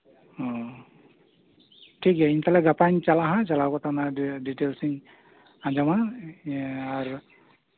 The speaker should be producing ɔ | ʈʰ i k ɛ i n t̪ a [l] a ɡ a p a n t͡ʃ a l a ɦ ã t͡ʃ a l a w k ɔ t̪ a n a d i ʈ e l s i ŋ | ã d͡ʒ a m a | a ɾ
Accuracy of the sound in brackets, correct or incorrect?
correct